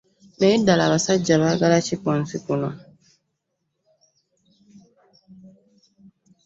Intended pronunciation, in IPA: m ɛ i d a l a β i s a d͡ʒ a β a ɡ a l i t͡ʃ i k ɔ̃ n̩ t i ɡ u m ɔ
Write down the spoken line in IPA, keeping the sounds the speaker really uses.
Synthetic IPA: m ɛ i d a l a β a s a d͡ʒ a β a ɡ a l a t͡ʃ i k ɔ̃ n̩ s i k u n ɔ